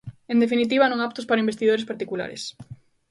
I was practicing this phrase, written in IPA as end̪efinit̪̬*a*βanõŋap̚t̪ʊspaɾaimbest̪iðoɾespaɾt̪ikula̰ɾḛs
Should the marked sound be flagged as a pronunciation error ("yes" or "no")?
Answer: yes